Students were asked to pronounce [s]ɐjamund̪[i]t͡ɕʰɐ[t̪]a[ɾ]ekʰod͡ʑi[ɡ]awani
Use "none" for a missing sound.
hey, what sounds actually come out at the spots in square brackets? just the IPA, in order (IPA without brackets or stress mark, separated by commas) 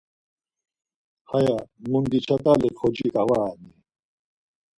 h, i, t̪, l, k